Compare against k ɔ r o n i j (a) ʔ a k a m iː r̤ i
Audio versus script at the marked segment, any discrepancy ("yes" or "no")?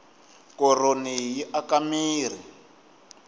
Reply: yes